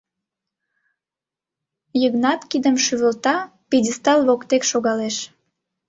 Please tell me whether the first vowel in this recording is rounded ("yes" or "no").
no